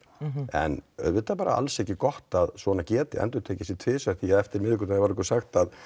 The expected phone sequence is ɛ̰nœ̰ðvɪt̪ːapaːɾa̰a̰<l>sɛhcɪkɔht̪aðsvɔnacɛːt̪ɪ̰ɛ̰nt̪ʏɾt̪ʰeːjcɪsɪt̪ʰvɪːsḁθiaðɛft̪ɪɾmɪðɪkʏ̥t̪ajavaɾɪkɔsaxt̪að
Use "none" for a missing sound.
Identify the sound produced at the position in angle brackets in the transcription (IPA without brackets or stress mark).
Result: l